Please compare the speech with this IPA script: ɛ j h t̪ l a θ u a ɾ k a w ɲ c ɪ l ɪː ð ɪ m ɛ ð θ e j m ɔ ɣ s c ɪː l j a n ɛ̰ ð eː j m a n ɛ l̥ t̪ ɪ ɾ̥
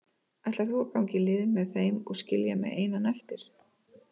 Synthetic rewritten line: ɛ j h t̪ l a θ u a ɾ k a w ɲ c ɪ l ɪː ð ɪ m ɛ ð θ e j m ɔ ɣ s c ɪ l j a m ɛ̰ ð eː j n a n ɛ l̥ t̪ ɪ ɾ̥